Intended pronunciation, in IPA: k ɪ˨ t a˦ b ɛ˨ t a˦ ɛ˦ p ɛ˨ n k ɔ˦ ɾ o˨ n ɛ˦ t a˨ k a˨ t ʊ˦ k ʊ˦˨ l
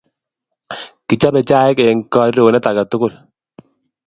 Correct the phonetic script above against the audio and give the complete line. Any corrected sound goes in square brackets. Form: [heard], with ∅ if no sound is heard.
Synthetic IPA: k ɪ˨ [t͡ʃ] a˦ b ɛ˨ [t͡ʃ] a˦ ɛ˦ [k] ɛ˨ [ŋ] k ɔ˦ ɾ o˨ n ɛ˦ t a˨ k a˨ t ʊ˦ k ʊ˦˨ l